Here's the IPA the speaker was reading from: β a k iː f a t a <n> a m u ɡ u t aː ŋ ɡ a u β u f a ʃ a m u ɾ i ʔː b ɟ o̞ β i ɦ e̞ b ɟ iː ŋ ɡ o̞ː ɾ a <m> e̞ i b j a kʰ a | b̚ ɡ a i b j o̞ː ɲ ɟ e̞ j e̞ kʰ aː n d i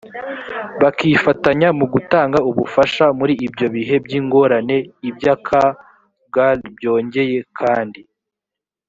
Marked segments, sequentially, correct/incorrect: incorrect, incorrect

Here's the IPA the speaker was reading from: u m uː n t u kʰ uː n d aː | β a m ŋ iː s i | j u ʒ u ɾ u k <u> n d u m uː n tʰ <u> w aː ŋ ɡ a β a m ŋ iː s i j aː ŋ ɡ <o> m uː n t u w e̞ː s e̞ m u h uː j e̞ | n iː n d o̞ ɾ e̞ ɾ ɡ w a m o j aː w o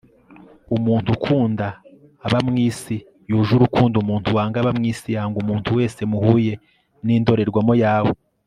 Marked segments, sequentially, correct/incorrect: incorrect, correct, incorrect

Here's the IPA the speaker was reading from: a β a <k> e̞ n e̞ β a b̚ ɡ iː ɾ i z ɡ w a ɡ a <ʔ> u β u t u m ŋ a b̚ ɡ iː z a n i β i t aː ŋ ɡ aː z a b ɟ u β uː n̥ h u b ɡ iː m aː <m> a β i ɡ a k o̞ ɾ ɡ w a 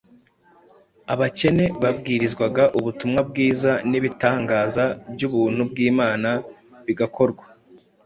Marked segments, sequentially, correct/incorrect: incorrect, correct, incorrect

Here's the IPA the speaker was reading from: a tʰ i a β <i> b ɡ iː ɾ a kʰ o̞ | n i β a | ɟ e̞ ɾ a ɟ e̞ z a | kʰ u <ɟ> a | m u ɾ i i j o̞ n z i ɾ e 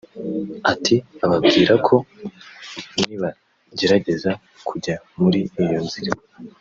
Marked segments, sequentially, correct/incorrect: incorrect, correct

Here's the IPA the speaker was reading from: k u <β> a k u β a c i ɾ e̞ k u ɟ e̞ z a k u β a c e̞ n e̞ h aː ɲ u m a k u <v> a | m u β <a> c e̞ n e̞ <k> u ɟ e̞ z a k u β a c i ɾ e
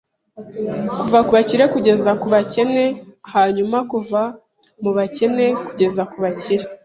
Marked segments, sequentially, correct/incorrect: incorrect, correct, correct, correct

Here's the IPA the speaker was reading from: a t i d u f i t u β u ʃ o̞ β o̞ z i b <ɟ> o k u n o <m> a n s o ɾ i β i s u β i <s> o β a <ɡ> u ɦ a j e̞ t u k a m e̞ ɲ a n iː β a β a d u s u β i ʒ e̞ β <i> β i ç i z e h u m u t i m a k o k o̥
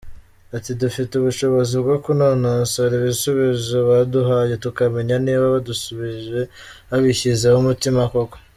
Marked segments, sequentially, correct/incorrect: incorrect, incorrect, incorrect, incorrect, incorrect

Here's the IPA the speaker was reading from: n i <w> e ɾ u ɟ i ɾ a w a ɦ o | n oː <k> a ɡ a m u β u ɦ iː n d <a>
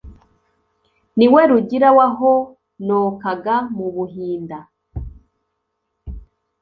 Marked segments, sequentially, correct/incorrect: correct, correct, correct

